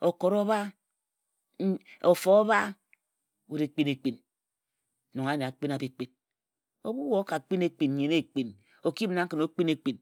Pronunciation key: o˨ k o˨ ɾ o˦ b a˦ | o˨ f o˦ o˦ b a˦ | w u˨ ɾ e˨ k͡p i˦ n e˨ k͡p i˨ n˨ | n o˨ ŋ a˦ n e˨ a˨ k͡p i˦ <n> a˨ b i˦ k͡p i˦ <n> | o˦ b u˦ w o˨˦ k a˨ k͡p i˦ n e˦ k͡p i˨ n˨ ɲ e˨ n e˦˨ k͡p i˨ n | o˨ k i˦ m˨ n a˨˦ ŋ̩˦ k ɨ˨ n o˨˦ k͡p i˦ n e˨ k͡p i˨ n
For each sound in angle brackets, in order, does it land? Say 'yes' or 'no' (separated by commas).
yes, yes